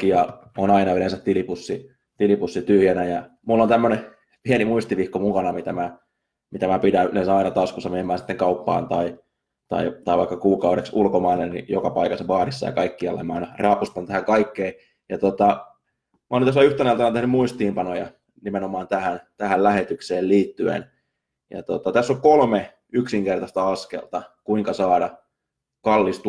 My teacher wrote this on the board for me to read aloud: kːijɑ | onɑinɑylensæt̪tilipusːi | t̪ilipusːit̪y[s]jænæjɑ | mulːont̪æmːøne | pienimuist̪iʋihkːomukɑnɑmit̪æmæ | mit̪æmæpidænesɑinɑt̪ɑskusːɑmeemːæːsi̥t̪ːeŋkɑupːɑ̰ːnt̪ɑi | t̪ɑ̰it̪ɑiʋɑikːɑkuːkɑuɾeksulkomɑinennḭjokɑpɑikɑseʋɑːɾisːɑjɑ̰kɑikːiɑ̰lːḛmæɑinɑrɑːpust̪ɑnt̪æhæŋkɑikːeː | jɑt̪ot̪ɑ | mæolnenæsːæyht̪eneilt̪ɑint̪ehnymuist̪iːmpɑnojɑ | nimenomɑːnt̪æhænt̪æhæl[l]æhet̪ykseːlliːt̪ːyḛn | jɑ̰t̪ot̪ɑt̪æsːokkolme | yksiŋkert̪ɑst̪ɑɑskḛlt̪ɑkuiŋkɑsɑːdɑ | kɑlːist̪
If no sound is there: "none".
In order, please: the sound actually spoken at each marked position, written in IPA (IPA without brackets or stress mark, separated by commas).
h, l